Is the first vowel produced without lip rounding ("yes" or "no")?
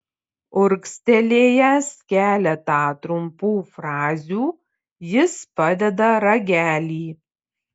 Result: no